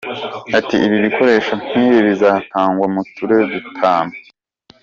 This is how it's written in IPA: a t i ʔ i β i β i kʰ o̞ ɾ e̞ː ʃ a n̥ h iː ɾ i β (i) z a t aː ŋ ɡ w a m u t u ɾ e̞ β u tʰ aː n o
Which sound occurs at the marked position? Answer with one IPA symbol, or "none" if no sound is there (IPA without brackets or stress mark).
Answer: i